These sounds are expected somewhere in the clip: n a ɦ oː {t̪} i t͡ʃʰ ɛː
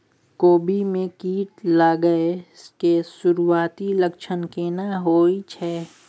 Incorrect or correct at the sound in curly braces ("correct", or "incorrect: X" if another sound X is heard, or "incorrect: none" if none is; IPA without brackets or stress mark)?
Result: incorrect: none